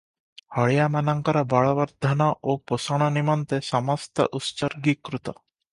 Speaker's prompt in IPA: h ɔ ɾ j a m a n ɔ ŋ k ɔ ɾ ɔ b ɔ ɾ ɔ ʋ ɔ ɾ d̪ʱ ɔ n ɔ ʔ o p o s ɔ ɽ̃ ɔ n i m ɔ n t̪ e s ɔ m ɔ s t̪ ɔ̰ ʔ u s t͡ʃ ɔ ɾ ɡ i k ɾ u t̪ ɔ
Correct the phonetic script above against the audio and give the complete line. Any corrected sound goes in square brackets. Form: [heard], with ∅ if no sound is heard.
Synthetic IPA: h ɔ [ɭ] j a m a n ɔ ŋ k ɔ ɾ ɔ b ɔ [ɭ] ɔ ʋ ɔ ɾ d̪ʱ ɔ n ɔ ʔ o p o s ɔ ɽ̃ ɔ n i m ɔ n t̪ e s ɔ m ɔ s t̪ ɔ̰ ʔ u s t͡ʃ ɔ ɾ ɡ i k ɾ u t̪ ɔ